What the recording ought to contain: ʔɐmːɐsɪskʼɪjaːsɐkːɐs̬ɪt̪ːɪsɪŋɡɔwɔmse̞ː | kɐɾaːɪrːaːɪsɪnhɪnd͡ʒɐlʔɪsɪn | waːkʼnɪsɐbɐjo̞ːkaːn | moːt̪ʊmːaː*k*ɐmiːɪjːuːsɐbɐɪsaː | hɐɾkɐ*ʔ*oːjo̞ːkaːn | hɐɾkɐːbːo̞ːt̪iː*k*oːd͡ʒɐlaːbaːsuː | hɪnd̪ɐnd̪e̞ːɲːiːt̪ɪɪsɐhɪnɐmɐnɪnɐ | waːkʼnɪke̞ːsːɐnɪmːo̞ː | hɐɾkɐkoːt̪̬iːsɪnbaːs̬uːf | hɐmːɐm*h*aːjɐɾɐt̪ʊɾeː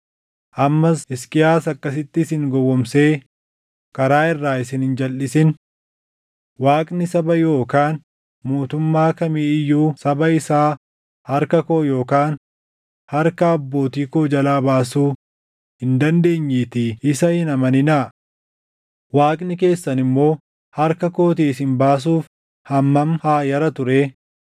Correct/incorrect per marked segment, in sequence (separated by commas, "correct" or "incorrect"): correct, incorrect, correct, correct